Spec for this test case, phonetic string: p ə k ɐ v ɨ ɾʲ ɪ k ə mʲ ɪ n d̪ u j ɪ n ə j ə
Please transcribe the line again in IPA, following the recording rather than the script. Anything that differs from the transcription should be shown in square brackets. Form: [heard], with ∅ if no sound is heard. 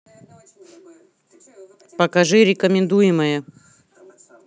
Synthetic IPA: p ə k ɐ [ʐ] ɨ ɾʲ ɪ k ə mʲ ɪ n d̪ u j ɪ [m] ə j ə